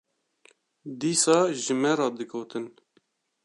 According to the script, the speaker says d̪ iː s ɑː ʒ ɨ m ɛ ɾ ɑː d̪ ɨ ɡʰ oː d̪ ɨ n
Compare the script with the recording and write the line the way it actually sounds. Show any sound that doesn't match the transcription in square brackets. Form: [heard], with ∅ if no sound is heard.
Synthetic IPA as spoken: d̪ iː s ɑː ʒ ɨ m ɛ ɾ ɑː d̪ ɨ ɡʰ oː [t̪] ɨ n

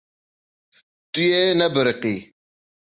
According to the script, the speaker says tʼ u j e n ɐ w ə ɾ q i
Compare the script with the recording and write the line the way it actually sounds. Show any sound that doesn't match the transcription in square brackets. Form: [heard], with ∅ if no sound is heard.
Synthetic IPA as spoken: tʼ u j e n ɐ [b] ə ɾ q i

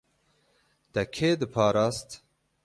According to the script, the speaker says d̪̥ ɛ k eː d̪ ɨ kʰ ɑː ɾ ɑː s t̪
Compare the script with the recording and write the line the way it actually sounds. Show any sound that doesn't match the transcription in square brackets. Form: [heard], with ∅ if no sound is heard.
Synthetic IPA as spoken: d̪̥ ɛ [kʰ] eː d̪ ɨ [pʰ] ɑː ɾ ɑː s t̪

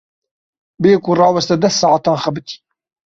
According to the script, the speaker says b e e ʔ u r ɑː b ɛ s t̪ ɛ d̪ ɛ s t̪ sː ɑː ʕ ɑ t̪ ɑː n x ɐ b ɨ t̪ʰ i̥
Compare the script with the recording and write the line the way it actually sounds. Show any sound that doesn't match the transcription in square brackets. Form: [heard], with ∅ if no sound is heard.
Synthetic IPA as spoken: b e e [k] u r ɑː [w] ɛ s t̪ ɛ d̪ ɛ s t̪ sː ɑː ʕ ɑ t̪ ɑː n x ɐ b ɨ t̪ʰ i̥

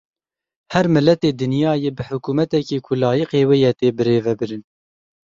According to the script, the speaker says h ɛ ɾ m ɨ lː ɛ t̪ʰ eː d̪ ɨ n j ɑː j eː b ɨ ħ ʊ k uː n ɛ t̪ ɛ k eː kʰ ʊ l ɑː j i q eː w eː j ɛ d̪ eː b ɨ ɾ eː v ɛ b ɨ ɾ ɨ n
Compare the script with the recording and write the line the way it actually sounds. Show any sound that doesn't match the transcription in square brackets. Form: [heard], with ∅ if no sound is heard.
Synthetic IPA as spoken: h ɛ ɾ m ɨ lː ɛ [t̪] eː d̪ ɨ n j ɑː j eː b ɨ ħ ʊ k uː [m] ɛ t̪ ɛ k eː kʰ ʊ l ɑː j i q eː w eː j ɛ [t̪] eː b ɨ ɾ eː v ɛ b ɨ ɾ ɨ n

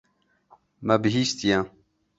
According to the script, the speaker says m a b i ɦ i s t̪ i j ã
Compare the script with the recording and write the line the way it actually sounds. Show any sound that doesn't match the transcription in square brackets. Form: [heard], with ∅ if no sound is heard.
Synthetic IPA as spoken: m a b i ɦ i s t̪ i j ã

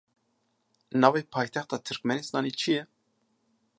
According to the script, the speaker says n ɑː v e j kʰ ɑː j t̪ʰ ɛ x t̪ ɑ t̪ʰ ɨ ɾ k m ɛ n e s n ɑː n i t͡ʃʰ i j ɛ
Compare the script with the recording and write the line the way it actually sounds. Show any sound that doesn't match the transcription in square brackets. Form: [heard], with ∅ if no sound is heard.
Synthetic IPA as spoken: n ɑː v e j [pʰ] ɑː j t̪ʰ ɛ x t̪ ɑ t̪ʰ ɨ ɾ k m ɛ n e s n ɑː n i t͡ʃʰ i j ɛ

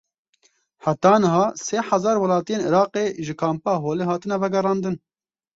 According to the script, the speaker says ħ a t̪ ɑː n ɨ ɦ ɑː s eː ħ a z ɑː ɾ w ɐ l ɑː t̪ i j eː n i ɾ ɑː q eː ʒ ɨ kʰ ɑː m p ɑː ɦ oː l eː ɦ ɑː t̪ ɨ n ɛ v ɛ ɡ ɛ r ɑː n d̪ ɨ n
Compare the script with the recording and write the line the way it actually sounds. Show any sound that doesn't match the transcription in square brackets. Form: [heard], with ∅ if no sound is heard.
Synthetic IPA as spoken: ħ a t̪ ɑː n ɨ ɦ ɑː s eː ħ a z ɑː ɾ w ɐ l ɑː t̪ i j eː n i ɾ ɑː q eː ʒ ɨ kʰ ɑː m p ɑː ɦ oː l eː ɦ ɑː t̪ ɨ n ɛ v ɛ ɡ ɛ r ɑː n d̪ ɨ n

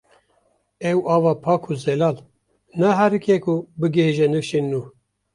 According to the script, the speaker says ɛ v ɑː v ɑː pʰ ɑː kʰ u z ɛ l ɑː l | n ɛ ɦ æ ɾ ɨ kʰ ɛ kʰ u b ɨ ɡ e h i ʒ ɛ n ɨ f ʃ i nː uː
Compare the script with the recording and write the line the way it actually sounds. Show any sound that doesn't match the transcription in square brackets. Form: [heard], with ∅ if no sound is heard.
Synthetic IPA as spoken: ɛ [w] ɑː v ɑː pʰ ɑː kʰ u z ɛ l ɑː l | n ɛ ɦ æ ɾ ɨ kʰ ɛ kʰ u b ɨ ɡ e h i ʒ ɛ n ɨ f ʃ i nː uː

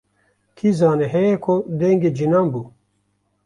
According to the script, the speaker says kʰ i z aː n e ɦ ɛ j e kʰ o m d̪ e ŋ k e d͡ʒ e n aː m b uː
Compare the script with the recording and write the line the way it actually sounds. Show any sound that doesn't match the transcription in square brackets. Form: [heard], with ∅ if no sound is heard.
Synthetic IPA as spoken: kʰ i z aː n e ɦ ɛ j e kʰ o [∅] d̪ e ŋ [ɡ] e d͡ʒ [i] n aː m b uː

